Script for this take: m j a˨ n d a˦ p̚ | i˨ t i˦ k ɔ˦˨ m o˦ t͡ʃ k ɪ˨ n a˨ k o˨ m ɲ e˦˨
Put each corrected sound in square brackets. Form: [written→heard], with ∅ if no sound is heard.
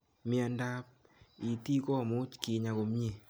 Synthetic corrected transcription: m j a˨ n d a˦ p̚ | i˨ t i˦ k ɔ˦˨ m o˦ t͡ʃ k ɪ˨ [n→ɲ] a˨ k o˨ m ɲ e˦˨